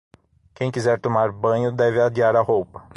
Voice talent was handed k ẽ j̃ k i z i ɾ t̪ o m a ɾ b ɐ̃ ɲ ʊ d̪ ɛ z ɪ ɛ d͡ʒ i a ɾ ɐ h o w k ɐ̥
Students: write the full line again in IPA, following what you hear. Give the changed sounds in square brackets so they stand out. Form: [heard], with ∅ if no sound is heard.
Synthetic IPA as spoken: k ẽ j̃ k i z [ɛ] ɾ t̪ o m a ɾ b ɐ̃ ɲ ʊ d̪ ɛ [v] ɪ [a] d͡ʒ i a ɾ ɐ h o w [p] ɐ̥